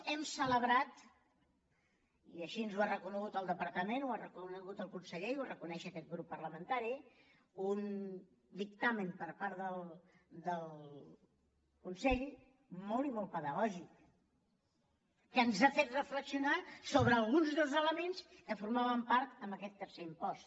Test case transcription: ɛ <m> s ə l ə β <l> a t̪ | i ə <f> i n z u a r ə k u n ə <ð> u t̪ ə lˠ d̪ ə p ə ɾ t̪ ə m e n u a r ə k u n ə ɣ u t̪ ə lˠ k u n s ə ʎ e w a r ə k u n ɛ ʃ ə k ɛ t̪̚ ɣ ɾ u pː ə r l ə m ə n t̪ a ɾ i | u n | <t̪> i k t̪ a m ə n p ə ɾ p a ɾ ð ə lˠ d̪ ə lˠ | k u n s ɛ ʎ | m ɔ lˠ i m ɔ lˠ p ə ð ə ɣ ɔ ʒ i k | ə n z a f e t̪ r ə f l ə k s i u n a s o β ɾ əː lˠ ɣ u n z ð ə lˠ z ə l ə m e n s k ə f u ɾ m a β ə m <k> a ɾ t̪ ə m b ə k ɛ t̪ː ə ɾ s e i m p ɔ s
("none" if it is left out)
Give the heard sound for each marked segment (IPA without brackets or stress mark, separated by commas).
m, ɾ, ʃ, ɣ, d̪, p